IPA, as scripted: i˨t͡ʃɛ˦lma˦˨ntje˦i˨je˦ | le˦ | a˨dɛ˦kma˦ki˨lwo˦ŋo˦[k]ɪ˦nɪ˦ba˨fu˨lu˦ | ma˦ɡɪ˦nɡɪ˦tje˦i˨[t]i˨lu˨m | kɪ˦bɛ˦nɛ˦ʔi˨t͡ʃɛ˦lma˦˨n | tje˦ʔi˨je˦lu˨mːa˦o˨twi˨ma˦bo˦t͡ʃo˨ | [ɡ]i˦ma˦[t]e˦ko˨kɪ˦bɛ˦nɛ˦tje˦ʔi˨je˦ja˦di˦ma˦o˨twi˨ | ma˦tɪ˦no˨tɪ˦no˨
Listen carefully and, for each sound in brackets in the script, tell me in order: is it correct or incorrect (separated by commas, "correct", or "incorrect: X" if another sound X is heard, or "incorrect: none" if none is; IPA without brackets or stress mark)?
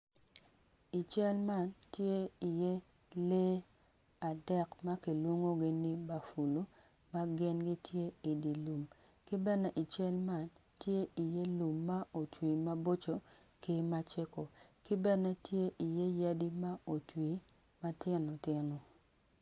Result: incorrect: ɡ, incorrect: d, incorrect: k, incorrect: t͡ʃ